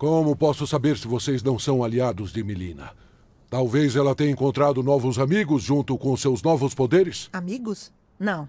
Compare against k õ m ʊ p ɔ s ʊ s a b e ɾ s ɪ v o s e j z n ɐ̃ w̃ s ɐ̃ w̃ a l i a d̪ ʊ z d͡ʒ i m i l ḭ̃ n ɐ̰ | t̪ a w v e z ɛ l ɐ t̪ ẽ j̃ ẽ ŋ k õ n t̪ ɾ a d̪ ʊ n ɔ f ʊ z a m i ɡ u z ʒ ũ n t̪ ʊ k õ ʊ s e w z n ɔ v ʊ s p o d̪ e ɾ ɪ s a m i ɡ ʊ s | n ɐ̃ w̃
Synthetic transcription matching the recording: k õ m ʊ p ɔ s ʊ s a b e ɾ s ɪ v o s e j z n ɐ̃ w̃ s ɐ̃ w̃ a l i a d̪ ʊ z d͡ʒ ɪ m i l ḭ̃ n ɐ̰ | t̪ a w v e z ɛ l ɐ t̪ ẽ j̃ ẽ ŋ k õ n t̪ ɾ a d̪ ʊ n ɔ v ʊ z a m i ɡ ʊ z ʒ ũ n t̪ ʊ k õ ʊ s e w z n ɔ v ʊ s p o d̪ e ɾ ɪ s a m i ɡ ʊ s | n ɐ̃ w̃